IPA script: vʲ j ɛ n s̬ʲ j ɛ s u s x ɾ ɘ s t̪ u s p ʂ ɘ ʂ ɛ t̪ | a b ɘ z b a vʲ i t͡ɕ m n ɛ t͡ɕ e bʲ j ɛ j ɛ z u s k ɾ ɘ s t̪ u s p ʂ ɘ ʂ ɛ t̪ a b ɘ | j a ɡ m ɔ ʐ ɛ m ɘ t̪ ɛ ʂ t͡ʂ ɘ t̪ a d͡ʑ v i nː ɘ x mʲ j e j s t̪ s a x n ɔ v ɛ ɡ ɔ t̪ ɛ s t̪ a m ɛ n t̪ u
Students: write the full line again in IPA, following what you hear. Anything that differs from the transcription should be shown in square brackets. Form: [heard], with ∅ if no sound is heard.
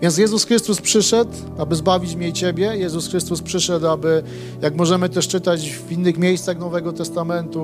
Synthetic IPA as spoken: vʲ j ɛ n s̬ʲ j ɛ [z] u s x ɾ ɘ s t̪ u s p ʂ ɘ ʂ ɛ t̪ | a b ɘ z b a vʲ i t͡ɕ m [ɲ] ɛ t͡ɕ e bʲ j ɛ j ɛ z u s [x] ɾ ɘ s t̪ u s p ʂ ɘ ʂ ɛ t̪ a b ɘ | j a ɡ m ɔ ʐ ɛ m ɘ t̪ ɛ ʂ t͡ʂ ɘ t̪ a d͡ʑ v i nː ɘ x mʲ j e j s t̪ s a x n ɔ v ɛ ɡ ɔ t̪ ɛ s t̪ a m ɛ n t̪ u